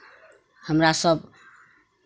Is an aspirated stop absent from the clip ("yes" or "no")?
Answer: yes